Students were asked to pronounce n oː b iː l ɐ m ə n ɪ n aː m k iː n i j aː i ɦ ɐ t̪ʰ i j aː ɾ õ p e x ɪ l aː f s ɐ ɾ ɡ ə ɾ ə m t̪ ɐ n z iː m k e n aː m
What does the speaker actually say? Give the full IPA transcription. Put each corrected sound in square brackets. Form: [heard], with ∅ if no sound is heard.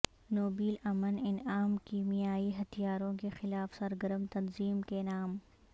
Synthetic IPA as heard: n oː b iː l ɐ m ə n ɪ n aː m k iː [m] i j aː i ɦ ɐ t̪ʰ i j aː ɾ õ [k] e x ɪ l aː f s ɐ ɾ ɡ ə ɾ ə m t̪ ɐ n z iː m k e n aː m